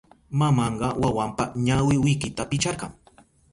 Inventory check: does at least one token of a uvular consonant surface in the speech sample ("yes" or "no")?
yes